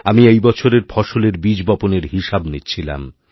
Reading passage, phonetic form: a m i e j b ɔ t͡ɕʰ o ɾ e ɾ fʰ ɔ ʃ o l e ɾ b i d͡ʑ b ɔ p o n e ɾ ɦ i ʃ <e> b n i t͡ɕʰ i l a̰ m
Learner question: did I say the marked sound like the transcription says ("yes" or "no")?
no